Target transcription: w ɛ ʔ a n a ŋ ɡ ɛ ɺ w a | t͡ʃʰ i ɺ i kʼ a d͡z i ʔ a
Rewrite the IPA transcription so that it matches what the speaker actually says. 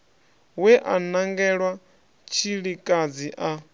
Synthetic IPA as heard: w ɛ ʔ a n a ŋ ɡ ɛ ɺ w a | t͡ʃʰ i ɺ i kʼ a d͡z i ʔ a